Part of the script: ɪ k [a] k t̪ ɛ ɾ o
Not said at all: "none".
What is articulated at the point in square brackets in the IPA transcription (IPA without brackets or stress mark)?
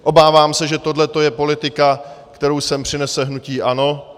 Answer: a